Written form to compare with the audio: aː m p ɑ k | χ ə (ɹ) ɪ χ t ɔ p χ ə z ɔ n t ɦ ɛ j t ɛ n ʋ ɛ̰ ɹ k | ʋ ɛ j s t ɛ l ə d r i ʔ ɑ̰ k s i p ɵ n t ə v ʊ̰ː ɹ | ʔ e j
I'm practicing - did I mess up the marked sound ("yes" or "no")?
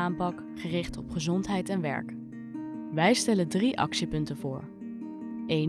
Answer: yes